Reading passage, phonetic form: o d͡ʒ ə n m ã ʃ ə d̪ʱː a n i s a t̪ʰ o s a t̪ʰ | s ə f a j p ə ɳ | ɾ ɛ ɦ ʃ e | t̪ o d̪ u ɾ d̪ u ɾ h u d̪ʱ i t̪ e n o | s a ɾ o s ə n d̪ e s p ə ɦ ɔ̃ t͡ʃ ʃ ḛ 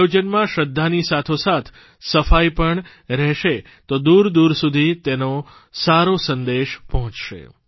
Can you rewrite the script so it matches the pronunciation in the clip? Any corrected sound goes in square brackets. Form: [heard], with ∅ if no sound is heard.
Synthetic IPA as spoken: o d͡ʒ ə n m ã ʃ ə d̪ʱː a n i s a t̪ʰ o s a t̪ʰ | s ə f a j p ə ɳ | ɾ ɛ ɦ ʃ e | t̪ o d̪ u ɾ d̪ u ɾ [s] u d̪ʱ i t̪ e n o | s a ɾ o s ə n d̪ e [ʃ] p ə ɦ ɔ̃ t͡ʃ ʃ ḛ